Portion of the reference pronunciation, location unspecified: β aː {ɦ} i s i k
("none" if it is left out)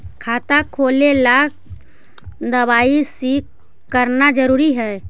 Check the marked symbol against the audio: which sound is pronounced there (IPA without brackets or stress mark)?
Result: none